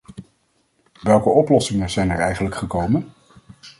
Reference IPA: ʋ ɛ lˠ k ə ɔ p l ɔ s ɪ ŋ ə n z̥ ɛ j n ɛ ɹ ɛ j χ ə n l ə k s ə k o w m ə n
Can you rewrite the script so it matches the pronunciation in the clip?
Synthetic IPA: ʋ ɛ lˠ k ə ɔ p l ɔ s ɪ ŋ ə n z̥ ɛ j n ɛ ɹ ɛ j χ ə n l ə k χ ə k o w m ə n